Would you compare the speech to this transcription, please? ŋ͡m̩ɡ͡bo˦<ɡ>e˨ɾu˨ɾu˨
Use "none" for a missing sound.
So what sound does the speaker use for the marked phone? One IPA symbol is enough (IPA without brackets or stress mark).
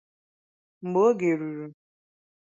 ɡ